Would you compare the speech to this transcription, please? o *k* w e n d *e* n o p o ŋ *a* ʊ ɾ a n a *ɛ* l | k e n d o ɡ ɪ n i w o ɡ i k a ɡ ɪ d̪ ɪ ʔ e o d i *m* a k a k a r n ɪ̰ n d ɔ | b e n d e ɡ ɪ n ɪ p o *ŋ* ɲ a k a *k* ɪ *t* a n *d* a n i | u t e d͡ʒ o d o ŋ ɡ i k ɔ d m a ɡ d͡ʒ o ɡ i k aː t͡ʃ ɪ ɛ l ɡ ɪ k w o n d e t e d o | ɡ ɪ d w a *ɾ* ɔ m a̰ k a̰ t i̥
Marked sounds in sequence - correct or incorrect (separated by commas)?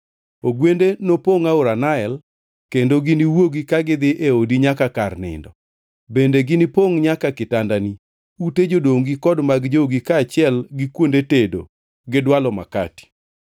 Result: incorrect, correct, correct, correct, incorrect, correct, correct, correct, correct, incorrect